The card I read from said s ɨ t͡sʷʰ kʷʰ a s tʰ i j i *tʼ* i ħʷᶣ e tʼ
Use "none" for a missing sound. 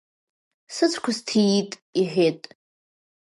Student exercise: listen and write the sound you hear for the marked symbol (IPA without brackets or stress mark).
tʼ